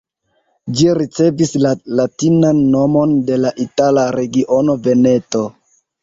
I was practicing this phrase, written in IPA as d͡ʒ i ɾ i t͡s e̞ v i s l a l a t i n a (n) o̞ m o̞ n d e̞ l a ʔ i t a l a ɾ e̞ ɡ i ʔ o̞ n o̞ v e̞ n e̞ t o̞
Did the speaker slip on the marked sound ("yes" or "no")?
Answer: yes